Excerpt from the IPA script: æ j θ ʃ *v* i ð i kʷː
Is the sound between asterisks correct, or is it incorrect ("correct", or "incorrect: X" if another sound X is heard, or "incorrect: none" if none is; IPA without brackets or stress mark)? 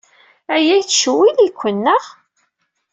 incorrect: w